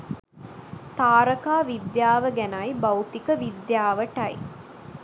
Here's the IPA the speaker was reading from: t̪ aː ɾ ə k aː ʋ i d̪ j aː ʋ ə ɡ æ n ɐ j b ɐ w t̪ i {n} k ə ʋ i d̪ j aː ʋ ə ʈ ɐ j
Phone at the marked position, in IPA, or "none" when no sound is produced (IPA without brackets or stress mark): none